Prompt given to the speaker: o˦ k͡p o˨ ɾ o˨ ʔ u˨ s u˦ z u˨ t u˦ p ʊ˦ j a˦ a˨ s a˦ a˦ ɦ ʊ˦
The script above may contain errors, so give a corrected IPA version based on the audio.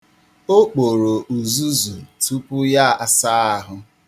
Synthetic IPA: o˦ k͡p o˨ ɾ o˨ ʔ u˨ z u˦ z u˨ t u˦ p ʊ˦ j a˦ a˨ s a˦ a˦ ɦ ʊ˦